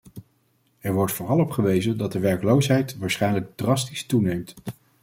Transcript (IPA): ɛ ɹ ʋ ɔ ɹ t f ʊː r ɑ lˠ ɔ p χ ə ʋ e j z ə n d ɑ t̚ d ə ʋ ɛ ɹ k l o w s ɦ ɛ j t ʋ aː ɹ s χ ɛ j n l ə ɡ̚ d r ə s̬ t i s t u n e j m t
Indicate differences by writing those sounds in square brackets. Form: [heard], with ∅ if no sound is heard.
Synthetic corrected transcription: ɛ ɹ ʋ ɔ ɹ t f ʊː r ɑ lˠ ɔ p χ ə ʋ e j z ə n d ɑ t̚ d ə ʋ ɛ ɹ k l o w s ɦ ɛ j t ʋ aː ɹ s χ ɛ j n l ə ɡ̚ d r [ɑ] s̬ t i s t u n e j m t